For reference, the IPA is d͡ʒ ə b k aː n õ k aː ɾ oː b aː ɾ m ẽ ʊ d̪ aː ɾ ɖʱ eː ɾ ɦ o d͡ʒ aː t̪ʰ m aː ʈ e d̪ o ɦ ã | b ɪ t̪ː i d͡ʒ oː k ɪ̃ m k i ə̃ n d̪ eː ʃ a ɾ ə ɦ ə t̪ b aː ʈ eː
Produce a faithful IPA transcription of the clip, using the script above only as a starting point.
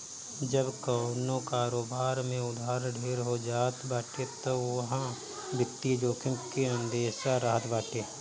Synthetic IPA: d͡ʒ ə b k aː n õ k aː ɾ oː b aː ɾ m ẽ ʊ d̪ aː ɾ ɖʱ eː ɾ ɦ o d͡ʒ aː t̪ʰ b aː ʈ e t̪ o ɦ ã | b ɪ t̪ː i d͡ʒ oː k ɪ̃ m k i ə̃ n d̪ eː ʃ a ɾ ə ɦ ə t̪ b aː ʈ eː